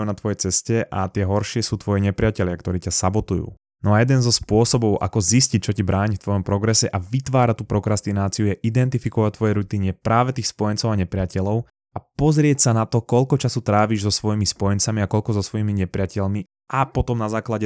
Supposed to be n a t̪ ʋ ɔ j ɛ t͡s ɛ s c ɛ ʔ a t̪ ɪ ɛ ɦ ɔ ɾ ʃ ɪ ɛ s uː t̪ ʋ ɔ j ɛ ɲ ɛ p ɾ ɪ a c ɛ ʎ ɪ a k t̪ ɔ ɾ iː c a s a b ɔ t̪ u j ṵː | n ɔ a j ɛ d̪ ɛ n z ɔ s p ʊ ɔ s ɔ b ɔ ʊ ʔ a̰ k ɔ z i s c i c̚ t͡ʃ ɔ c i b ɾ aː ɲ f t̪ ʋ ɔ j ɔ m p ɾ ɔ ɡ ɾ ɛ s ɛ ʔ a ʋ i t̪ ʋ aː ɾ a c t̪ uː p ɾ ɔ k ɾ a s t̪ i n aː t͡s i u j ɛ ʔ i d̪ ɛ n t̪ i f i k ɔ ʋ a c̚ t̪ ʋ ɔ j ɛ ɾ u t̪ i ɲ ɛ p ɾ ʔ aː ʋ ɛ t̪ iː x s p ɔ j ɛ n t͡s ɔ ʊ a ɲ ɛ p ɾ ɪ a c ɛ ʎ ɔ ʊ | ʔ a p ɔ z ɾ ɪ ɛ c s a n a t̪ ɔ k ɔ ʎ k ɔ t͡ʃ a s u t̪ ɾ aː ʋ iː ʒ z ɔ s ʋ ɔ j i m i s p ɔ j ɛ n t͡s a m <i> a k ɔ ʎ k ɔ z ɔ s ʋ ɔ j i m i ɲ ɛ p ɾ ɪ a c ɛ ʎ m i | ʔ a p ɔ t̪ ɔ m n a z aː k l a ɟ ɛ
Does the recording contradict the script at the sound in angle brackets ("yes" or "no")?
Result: no